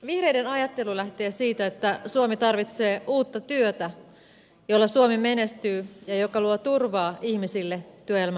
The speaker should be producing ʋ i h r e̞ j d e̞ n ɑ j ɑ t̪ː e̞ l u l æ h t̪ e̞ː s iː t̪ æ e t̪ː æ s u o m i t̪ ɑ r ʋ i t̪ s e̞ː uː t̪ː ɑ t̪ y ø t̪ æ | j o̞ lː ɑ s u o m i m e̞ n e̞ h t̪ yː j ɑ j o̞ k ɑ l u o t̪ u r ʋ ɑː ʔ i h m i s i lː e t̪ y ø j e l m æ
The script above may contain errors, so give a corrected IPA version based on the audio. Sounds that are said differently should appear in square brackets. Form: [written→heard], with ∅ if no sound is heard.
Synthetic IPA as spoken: ʋ i h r e̞ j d e̞ n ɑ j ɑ t̪ː e̞ l u l æ h t̪ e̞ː s iː t̪ æ e t̪ː æ s u o m i t̪ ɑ r ʋ i t̪ s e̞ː uː t̪ː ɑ t̪ y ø t̪ æ | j o̞ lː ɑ s u o m i m e̞ n e̞ [h→s] t̪ yː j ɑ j o̞ k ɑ l u o t̪ u r ʋ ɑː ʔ i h m i s i lː e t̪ y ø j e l m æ